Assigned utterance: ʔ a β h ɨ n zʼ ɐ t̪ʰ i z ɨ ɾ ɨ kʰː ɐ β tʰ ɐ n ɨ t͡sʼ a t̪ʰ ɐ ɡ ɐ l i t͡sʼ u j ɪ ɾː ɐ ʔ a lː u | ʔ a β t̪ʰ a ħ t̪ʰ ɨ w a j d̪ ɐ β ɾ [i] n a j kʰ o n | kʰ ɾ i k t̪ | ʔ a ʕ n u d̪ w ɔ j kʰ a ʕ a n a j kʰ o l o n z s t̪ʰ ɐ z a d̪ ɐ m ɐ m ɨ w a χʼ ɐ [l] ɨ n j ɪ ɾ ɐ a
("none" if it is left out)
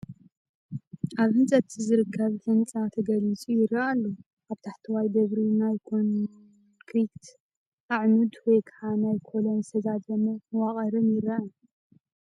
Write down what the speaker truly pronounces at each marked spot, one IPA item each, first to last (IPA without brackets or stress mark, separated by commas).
i, ɾ